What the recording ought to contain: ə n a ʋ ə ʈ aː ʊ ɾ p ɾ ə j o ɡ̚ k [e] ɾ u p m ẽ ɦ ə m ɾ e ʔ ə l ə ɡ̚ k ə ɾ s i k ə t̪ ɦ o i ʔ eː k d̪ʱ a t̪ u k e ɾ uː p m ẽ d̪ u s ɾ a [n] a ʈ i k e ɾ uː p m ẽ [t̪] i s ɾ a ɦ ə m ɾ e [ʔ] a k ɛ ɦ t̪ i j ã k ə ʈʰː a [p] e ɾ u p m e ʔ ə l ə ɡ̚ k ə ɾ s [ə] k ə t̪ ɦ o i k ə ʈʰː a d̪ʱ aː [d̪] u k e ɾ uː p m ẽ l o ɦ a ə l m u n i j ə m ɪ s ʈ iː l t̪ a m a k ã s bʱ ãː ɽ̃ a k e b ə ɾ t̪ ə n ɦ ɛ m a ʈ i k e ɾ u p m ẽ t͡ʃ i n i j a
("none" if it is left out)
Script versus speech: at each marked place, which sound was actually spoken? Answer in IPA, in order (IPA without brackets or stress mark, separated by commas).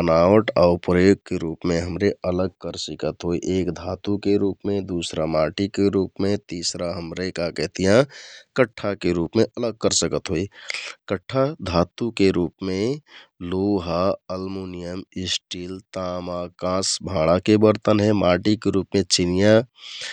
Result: e, m, t̪, k, k, ə, t̪